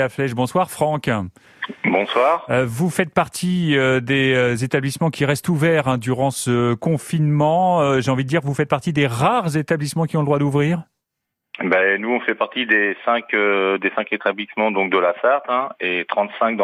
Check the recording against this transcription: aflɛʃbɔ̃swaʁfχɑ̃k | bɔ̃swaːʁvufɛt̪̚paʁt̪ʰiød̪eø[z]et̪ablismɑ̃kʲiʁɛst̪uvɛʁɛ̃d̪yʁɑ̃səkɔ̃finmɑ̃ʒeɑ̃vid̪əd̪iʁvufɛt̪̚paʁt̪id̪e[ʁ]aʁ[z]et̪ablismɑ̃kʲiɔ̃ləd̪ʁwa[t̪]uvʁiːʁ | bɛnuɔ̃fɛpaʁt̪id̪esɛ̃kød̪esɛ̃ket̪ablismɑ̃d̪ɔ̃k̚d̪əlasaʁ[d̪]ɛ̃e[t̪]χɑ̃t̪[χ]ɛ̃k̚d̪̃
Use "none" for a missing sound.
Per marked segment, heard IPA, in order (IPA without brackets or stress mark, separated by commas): z, ʁ, z, d̪, t̪, t̪, s